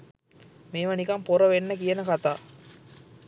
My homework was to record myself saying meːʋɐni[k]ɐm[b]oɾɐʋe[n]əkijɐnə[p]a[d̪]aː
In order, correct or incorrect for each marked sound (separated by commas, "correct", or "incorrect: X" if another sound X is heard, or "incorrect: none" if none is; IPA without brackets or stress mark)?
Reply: correct, incorrect: p, incorrect: nː, incorrect: k, incorrect: t̪